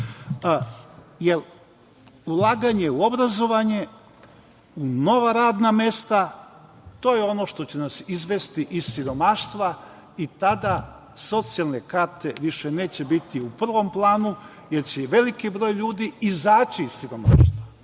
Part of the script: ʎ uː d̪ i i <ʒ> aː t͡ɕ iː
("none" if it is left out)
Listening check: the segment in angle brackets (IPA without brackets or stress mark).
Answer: z